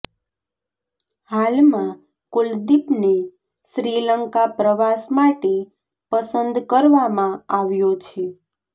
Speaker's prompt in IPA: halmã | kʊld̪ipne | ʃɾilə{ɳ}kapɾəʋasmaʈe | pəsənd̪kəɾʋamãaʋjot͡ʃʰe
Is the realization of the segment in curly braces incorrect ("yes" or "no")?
yes